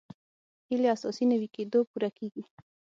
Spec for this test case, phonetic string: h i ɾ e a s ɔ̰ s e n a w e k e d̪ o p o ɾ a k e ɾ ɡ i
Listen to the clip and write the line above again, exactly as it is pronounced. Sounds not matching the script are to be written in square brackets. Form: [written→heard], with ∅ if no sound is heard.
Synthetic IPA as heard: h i [ɾ→l] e a s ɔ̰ s [e→i] n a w [e→i] k e d̪ o p [o→u] ɾ a k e [ɾ→∅] ɡ i